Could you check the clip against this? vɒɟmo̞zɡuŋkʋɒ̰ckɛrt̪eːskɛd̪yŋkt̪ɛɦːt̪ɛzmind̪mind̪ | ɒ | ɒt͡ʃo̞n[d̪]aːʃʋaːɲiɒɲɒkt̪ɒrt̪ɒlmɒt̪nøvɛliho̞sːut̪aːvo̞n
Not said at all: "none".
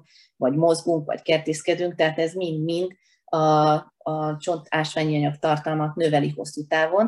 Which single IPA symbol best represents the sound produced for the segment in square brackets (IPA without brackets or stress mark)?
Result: t̪